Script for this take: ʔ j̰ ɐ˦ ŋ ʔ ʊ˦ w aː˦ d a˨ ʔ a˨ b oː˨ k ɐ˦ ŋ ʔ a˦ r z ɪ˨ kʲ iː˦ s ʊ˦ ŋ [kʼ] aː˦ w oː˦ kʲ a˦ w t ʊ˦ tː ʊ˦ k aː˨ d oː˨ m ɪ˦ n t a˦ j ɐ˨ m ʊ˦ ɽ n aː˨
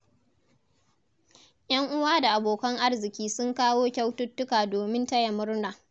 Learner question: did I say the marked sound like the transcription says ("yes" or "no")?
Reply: no